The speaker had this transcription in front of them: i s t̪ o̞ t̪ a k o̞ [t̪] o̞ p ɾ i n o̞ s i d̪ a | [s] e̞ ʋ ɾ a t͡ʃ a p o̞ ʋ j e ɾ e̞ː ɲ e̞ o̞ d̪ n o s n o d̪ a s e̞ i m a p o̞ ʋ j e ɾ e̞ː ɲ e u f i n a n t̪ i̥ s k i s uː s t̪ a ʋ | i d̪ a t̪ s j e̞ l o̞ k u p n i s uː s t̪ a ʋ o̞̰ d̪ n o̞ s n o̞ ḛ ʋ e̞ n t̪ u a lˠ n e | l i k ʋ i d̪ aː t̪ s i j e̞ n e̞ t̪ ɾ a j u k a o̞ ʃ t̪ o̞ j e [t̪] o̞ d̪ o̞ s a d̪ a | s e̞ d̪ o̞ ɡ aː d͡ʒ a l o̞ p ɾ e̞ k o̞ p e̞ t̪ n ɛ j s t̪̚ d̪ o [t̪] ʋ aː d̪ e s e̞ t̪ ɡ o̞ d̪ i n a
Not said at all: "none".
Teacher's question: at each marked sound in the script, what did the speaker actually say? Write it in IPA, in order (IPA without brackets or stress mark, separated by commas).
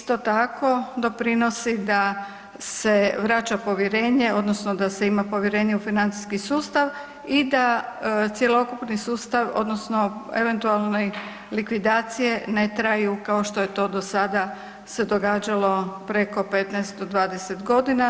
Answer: d̪, s, t̪, d̪